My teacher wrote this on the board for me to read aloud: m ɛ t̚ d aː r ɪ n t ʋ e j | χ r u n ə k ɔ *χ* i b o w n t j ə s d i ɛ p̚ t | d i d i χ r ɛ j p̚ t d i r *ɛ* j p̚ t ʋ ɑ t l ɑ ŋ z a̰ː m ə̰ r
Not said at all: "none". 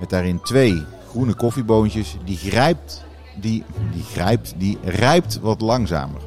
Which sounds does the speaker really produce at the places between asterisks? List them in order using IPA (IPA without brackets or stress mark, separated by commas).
f, ɛ